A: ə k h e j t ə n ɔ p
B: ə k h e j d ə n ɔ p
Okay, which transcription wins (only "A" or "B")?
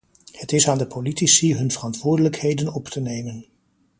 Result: B